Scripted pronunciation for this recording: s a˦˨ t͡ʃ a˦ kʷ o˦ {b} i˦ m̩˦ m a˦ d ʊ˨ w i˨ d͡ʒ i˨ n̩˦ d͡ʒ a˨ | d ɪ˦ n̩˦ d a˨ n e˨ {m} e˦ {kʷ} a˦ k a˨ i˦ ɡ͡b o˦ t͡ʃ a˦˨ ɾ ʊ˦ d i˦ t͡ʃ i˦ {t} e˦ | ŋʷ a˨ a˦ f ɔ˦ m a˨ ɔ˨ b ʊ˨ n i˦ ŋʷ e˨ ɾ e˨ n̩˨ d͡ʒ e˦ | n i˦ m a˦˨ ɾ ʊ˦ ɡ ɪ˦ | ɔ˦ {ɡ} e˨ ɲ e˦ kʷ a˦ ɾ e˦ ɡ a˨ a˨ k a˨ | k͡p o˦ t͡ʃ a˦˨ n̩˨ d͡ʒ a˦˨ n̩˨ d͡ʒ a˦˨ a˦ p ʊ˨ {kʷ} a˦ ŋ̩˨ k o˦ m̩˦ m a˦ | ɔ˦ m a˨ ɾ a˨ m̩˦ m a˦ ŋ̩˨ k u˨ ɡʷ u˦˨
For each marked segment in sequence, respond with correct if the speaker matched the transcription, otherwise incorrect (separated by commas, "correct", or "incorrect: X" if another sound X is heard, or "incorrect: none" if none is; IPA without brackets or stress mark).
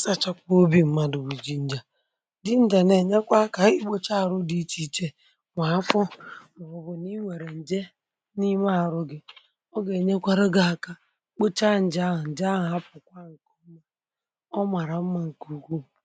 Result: correct, incorrect: ɲ, correct, incorrect: t͡ʃ, correct, correct